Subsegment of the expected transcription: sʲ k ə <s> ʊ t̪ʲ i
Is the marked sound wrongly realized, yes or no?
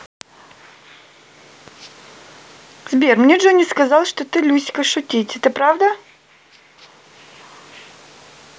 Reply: yes